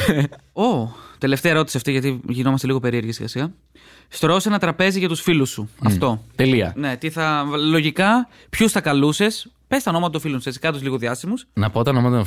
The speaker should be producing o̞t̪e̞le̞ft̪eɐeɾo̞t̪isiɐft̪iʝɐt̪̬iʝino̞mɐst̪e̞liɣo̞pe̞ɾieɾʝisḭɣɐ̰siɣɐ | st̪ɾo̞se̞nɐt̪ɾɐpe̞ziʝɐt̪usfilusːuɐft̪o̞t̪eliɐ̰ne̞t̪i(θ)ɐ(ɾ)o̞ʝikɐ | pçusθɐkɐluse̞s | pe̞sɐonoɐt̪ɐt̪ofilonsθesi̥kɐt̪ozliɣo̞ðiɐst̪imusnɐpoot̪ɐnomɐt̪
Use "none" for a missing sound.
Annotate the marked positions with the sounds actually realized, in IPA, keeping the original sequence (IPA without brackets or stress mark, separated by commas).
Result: θ, l